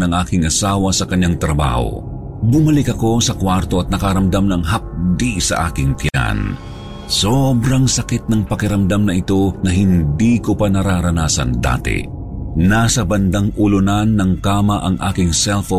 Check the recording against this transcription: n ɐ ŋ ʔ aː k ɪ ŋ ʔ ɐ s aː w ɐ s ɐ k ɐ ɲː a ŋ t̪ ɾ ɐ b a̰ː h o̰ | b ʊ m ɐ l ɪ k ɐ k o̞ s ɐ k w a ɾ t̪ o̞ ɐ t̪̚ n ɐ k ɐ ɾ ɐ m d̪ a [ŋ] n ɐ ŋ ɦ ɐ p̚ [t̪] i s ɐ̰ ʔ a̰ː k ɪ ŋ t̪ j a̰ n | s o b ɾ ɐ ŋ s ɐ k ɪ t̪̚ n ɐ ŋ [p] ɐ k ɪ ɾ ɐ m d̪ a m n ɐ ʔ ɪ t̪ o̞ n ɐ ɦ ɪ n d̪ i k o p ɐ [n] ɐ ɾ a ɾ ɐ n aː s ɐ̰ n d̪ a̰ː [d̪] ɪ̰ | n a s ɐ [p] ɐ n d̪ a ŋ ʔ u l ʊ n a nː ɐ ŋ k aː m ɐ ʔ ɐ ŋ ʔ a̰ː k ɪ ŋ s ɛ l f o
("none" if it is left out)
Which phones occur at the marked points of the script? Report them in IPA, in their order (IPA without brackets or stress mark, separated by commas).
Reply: m, d̪, p, n, t̪, b